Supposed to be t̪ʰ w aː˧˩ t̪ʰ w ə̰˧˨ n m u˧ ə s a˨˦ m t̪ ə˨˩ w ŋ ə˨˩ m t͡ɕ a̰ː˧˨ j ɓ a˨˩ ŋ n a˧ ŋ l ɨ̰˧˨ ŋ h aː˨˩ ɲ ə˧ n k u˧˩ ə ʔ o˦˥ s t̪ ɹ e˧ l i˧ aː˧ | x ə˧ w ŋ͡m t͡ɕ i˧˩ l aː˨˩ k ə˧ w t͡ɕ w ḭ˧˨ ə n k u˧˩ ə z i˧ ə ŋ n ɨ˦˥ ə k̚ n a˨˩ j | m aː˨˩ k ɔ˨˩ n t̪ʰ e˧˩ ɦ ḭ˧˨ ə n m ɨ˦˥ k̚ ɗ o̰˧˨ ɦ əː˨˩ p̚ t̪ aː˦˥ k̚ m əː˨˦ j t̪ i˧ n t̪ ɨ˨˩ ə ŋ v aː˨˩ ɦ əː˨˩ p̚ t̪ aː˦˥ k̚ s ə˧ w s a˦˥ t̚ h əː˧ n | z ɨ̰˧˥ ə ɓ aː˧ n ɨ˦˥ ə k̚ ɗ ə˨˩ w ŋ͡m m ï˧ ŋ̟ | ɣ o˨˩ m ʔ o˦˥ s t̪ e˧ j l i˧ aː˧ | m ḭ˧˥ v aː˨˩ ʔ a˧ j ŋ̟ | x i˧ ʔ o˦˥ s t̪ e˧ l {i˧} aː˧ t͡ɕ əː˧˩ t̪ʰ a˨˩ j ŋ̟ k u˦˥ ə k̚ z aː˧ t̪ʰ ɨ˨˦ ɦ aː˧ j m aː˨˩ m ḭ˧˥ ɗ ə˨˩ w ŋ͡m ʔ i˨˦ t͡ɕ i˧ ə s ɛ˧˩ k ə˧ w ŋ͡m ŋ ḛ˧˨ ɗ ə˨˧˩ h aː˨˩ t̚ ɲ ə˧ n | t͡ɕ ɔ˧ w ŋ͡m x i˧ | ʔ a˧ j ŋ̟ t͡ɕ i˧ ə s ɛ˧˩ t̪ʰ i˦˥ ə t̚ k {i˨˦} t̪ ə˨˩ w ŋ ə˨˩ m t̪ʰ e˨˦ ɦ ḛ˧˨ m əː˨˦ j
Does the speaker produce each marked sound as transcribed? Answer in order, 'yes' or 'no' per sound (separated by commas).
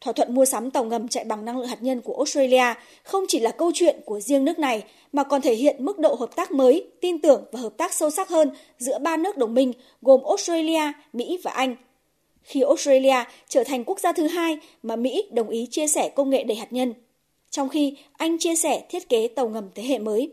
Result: yes, no